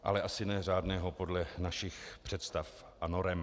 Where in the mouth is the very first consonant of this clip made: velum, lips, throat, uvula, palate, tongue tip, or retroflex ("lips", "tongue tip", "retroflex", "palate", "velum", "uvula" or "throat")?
throat